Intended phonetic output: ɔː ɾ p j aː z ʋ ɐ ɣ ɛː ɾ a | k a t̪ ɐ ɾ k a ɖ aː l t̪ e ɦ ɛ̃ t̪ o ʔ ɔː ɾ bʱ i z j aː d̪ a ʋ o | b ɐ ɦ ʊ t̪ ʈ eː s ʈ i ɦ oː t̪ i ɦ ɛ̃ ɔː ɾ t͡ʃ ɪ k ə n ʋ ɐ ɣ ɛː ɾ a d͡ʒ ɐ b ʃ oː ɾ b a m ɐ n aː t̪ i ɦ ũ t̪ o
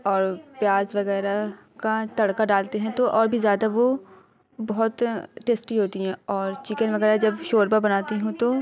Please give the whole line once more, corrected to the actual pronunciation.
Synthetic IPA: ɔː ɾ p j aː z ʋ ɐ ɣ ɛː ɾ a | k a t̪ ɐ ɽ k a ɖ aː l t̪ e ɦ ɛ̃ t̪ o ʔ ɔː ɾ bʱ i z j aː d̪ a ʋ o | b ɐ ɦ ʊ t̪ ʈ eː s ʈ i ɦ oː t̪ i ɦ ɛ̃ ɔː ɾ t͡ʃ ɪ k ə n ʋ ɐ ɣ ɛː ɾ a d͡ʒ ɐ b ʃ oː ɾ b a b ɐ n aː t̪ i ɦ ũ t̪ o